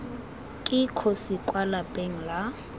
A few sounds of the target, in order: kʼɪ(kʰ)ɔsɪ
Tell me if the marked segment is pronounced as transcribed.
yes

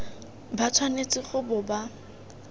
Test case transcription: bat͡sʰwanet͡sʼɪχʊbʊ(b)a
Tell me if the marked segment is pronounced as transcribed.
yes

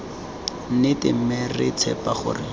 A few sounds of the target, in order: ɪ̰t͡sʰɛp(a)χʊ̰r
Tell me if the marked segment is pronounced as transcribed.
yes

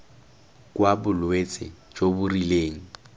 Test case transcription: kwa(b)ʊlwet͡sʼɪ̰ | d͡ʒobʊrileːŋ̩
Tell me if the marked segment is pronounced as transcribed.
yes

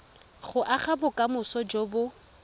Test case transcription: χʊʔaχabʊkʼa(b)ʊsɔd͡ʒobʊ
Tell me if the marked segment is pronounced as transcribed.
no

